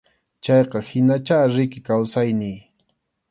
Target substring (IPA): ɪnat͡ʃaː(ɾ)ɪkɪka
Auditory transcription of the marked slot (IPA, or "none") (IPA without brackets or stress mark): ɾ